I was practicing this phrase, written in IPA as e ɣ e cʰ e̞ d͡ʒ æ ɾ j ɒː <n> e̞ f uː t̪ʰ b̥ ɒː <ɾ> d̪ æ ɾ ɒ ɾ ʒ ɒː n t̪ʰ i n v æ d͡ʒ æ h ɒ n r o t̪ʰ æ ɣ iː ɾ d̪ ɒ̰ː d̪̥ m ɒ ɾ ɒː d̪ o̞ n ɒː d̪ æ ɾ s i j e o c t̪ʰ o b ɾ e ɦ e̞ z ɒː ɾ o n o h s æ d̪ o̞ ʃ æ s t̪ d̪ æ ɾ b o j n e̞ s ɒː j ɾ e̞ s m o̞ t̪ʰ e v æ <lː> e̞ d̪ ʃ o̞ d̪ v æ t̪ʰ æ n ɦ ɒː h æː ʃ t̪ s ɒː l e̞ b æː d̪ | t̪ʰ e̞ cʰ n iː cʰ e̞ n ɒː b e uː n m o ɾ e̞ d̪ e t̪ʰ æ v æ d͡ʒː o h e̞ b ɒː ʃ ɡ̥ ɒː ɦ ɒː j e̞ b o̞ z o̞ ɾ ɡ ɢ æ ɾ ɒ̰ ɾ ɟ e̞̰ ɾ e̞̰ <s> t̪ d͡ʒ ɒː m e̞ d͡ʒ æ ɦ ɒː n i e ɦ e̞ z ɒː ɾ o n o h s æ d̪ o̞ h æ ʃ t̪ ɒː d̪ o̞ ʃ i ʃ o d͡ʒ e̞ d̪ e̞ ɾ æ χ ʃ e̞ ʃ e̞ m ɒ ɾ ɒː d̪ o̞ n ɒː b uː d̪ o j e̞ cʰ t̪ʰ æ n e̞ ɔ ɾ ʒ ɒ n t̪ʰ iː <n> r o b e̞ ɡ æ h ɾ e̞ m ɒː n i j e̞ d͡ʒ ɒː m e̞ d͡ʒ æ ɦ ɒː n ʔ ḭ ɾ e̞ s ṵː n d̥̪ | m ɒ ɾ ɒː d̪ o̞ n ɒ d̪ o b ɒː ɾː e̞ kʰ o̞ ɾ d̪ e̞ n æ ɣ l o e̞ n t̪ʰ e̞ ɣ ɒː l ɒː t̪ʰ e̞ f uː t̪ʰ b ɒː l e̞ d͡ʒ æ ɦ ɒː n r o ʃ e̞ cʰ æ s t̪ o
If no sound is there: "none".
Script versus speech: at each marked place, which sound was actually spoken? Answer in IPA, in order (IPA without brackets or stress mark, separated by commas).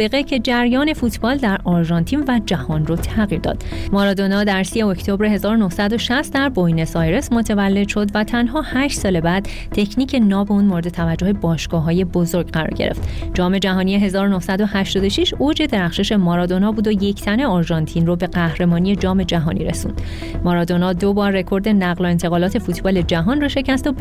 n, l, lː, f, n